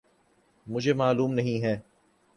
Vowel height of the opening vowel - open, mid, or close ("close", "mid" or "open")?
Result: close